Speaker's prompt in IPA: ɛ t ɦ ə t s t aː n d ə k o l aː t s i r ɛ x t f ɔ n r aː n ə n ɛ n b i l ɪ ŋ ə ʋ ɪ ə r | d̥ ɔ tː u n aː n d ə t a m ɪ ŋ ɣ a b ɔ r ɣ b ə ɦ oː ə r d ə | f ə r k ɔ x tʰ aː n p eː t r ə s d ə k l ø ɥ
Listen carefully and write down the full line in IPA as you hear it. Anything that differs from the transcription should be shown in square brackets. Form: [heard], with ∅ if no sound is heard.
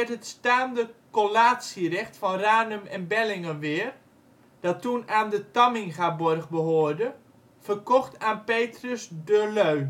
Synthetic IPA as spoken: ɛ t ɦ ə t s t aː n d ə k o l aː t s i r ɛ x t f ɔ n r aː n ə [m] ɛ n b [ɛ] l ɪ ŋ ə ʋ ɪ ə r | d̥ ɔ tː u n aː n d ə t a m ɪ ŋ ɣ a b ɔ r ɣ b ə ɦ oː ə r d ə | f ə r k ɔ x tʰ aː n p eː t r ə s d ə [∅] l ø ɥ